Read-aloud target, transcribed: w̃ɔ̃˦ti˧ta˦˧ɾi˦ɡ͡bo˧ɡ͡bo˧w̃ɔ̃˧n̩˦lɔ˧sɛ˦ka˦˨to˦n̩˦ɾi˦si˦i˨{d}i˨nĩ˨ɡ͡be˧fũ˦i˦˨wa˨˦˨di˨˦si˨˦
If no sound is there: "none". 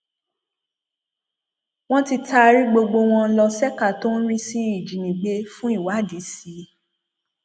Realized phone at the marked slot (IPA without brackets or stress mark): d͡ʒ